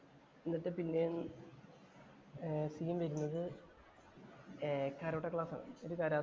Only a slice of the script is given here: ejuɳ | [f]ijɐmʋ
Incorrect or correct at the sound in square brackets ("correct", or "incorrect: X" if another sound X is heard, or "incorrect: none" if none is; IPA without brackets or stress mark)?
incorrect: s